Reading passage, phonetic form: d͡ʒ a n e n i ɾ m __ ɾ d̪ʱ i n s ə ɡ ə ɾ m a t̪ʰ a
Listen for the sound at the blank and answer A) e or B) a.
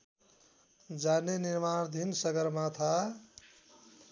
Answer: B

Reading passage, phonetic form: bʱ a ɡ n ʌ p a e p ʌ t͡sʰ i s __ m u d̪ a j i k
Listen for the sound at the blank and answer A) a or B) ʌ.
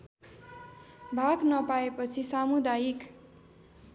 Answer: A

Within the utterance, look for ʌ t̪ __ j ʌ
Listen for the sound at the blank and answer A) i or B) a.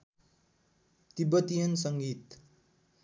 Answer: A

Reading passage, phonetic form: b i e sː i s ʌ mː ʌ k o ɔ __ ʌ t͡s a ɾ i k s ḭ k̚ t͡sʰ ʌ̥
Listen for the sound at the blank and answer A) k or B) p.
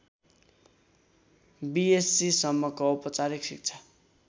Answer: B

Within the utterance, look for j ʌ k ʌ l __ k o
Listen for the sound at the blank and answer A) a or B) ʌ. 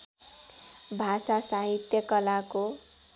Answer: A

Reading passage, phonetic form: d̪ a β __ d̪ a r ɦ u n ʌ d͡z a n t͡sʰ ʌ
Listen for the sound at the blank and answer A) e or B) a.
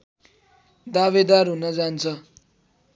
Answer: A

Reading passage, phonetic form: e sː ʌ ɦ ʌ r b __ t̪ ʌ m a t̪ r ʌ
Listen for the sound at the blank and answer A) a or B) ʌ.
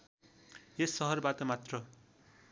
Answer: A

